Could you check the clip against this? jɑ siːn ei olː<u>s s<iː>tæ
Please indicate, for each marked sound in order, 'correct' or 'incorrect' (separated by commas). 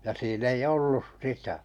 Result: correct, incorrect